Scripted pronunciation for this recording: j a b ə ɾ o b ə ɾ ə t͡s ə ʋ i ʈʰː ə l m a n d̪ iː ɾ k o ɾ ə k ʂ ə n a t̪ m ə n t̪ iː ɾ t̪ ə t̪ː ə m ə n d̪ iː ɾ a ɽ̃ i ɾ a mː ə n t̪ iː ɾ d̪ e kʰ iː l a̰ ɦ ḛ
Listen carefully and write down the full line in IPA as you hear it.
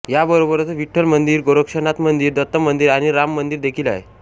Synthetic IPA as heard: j a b ə ɾ o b ə ɾ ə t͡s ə ʋ i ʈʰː ə l m ə n d̪ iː ɾ ɡ o ɾ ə k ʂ ə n a t̪ m ə n d̪ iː ɾ d̪ ə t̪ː ə m ə n d̪ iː ɾ a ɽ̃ i ɾ a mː ə n d̪ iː ɾ d̪ e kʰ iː l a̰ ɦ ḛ